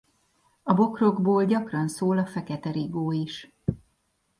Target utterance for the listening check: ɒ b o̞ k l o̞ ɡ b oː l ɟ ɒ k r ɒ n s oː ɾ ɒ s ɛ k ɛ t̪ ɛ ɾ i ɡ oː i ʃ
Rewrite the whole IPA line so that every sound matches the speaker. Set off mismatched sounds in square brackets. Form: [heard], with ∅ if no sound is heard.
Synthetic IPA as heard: ɒ b o̞ k [r] o̞ ɡ b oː l ɟ ɒ k r ɒ n s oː [l] ɒ [f] ɛ k ɛ t̪ ɛ ɾ i ɡ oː i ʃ